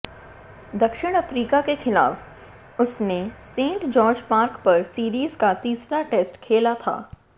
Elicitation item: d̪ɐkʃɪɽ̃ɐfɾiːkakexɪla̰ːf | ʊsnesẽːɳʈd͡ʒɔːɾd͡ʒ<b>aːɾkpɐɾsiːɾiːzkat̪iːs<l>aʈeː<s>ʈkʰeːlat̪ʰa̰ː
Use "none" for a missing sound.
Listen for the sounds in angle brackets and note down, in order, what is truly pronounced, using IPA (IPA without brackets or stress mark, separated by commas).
p, ɾ, s